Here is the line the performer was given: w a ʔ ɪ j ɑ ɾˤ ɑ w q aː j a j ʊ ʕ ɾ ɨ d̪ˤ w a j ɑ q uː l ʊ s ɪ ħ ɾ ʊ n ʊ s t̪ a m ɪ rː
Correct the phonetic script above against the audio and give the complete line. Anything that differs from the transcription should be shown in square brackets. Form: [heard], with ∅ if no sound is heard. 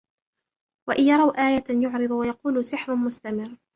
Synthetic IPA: w a ʔ ɪ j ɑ ɾˤ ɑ w [ʔ] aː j a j ʊ ʕ ɾ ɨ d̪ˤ w a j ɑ q uː l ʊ s ɪ ħ ɾ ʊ [m] ʊ s t̪ a m ɪ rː